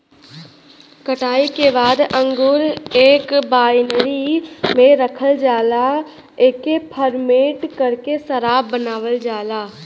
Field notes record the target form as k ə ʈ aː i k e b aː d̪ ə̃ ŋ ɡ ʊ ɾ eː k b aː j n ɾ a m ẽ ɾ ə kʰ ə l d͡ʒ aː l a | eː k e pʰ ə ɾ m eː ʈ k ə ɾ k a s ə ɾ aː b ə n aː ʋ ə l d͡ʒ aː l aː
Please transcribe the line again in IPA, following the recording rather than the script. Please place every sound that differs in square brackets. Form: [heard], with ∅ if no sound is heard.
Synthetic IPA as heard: k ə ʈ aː i k e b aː d̪ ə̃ ŋ ɡ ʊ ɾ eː k b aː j n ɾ [i] m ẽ ɾ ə kʰ ə l d͡ʒ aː l a | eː k e pʰ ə ɾ m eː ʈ k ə ɾ k [e] s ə ɾ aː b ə n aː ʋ ə l d͡ʒ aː l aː

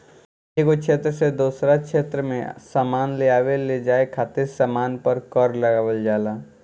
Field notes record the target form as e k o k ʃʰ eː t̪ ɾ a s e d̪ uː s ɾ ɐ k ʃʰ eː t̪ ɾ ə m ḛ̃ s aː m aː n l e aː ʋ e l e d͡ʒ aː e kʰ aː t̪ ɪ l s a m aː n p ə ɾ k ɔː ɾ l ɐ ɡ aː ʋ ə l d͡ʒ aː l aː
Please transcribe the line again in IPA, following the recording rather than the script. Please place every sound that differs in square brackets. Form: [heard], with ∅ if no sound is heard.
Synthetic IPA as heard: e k o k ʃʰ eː t̪ ɾ [ə] s e d̪ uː s ɾ [a] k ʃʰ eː t̪ ɾ ə m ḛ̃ s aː m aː n l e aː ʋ e l e d͡ʒ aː e kʰ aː t̪ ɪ [ɾ] s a m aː n p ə ɾ k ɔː ɾ l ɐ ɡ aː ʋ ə l d͡ʒ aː l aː

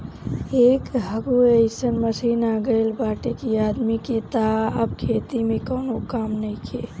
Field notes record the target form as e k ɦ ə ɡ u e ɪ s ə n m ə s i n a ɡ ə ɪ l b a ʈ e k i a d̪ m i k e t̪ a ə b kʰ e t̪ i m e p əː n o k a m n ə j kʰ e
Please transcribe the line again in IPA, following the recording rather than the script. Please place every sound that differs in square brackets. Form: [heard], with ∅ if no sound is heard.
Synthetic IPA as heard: e k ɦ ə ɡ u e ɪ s ə n m ə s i n a ɡ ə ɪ l b a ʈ e k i a d̪ m i k e t̪ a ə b kʰ e t̪ i m e [k] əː n o k a m n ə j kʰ e

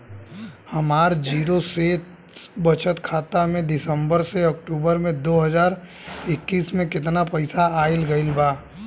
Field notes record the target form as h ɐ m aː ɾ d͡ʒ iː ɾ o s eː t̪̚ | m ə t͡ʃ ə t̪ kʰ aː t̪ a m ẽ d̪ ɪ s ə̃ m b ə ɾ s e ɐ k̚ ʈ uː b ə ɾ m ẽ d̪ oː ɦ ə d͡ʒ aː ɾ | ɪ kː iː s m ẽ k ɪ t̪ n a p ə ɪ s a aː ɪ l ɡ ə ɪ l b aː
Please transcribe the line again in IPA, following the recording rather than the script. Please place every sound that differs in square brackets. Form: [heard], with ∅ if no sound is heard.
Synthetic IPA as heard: h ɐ m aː ɾ d͡ʒ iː ɾ o s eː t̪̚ | [b] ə t͡ʃ ə t̪ kʰ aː t̪ a m ẽ d̪ ɪ s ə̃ m b ə ɾ s e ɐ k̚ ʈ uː b ə ɾ m ẽ d̪ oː ɦ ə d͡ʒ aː ɾ | ɪ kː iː s m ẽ k ɪ t̪ n a p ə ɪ s a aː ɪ l ɡ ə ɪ l b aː

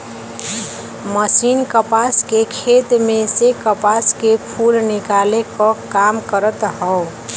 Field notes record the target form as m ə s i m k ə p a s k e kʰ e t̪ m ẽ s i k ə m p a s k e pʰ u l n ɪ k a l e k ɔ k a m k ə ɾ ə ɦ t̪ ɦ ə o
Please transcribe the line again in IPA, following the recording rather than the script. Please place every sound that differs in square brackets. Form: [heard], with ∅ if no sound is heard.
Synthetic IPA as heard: m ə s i [n] k ə p a s k e kʰ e t̪ m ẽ s [e] k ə [∅] p a s k e pʰ u l n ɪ k a l e k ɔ k a m k ə ɾ ə [∅] t̪ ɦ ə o

